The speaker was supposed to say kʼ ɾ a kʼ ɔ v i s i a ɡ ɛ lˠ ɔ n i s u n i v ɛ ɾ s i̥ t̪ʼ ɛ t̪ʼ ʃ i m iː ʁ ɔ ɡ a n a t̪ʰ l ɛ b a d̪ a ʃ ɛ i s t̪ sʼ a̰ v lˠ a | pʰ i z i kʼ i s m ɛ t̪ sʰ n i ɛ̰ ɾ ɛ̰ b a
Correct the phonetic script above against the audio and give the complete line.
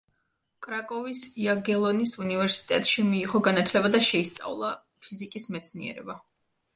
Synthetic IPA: kʼ ɾ a kʼ ɔ v i s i a ɡ ɛ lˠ ɔ n i s u n i v ɛ ɾ s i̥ t̪ʼ ɛ t̪ʼ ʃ i m iː ʁ ɔ ɡ a n a t̪ʰ l ɛ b a d̪ a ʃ ɛ i s t̪ sʼ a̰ v lˠ a | pʰ i z i kʼ i s m ɛ t̪ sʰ n i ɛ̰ ɾ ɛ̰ b a